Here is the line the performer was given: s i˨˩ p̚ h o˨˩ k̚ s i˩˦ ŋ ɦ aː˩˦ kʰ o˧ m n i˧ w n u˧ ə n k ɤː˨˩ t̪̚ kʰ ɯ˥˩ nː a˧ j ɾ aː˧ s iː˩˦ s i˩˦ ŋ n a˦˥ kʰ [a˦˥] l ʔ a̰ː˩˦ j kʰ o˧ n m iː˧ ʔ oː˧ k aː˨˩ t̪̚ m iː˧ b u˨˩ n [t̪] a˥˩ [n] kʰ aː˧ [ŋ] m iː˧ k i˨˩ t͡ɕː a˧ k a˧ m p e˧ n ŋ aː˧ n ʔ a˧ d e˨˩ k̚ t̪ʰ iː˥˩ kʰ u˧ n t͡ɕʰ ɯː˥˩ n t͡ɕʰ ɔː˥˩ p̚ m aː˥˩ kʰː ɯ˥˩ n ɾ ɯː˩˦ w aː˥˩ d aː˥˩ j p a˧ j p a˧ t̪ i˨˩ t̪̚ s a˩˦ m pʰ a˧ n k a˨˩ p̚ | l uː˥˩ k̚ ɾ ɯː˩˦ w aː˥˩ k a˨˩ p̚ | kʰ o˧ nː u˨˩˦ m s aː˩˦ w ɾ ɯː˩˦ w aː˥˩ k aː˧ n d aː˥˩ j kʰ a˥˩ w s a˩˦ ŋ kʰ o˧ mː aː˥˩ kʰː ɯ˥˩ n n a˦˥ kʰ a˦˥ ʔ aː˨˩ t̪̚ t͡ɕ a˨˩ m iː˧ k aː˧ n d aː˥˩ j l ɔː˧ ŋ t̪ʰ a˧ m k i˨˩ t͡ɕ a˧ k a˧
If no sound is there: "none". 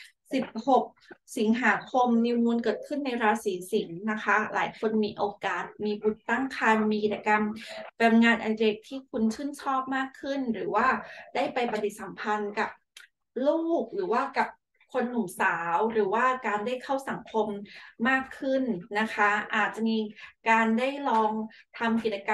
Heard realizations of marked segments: a˦˥, t̪, ŋ, n

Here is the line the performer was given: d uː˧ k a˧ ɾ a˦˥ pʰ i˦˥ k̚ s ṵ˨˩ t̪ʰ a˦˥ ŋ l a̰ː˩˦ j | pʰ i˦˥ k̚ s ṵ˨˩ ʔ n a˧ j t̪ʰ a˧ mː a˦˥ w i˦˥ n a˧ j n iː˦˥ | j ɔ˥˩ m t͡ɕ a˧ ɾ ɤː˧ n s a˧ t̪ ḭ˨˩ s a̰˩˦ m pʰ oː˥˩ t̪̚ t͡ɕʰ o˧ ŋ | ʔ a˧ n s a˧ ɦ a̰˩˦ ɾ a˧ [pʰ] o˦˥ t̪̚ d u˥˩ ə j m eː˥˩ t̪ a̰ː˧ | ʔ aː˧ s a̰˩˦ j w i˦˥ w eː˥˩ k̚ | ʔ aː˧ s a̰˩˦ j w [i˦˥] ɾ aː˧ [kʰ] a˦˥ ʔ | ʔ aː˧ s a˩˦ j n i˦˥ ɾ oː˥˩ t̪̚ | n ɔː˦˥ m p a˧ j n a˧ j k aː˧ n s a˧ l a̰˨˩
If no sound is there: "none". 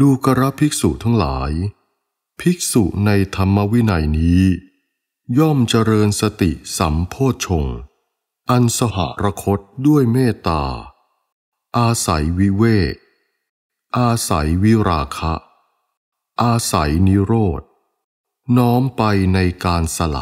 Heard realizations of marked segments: kʰ, i˦˥, kʰ

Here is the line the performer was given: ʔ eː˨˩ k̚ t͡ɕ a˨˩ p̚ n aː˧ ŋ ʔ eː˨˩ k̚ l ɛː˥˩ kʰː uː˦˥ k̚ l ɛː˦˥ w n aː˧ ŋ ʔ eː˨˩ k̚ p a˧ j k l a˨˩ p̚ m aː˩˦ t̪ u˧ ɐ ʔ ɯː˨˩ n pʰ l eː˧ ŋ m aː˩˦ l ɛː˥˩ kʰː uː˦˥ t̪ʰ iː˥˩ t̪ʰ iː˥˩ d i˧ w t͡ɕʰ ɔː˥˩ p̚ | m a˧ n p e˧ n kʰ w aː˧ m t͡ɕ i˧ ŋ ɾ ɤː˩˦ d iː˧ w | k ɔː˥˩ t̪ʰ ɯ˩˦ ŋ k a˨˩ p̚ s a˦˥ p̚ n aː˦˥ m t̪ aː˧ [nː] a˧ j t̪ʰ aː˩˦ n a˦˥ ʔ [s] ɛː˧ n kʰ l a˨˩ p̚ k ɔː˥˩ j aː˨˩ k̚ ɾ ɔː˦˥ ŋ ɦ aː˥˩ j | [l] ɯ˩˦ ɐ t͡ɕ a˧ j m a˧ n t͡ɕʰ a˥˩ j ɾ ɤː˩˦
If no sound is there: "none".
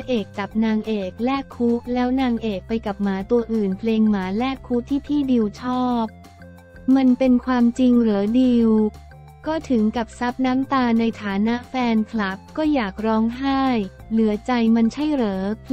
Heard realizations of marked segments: n, f, l

